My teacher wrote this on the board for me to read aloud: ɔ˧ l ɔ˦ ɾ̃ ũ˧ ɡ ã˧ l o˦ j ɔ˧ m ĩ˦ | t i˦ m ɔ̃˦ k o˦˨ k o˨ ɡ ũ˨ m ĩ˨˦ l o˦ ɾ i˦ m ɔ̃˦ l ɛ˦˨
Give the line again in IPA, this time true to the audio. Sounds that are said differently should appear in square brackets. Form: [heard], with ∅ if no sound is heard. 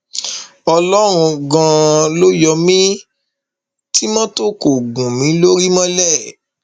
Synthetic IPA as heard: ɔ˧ l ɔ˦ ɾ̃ ũ˧ ɡ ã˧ l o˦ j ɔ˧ m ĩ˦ | t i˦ m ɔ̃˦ [t] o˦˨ k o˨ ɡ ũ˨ m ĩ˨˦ l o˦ ɾ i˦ m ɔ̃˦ l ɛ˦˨